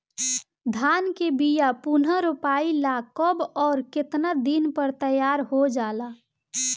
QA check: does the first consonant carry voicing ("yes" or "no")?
yes